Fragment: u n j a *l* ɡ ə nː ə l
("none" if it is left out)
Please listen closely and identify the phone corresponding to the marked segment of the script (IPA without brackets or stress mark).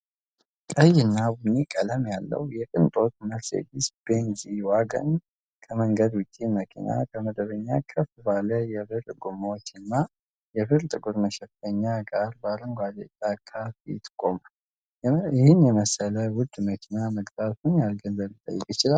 l